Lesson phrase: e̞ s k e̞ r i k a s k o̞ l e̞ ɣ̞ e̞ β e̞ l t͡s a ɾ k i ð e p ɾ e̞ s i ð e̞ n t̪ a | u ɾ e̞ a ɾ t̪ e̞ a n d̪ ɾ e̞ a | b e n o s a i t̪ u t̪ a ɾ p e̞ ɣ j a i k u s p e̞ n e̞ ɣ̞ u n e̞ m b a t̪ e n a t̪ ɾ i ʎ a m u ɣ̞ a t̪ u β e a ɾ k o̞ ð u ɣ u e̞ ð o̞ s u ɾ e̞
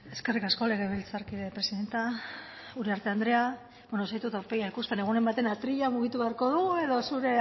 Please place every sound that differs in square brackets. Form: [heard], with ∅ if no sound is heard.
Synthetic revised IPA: e̞ s k e̞ r i k a s k o̞ l e̞ ɣ̞ e̞ β e̞ l t͡s a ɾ k i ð e p ɾ e̞ s i ð e̞ n t̪ a | u ɾ e̞ a ɾ t̪ e̞ a n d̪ ɾ e̞ a | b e n o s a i t̪ u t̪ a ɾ p e̞ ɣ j a i k u s p e̞ n e̞ ɣ̞ u n e̞ m b a t̪ e n a t̪ ɾ i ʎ a m u ɣ̞ [i] t̪ u β e a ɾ k o̞ ð u ɣ u e̞ ð o̞ s u ɾ e̞